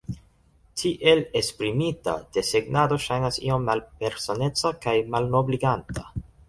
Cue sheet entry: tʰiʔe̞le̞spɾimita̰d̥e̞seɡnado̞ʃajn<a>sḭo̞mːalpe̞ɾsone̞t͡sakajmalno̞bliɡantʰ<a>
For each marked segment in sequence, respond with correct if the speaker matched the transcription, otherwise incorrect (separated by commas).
correct, correct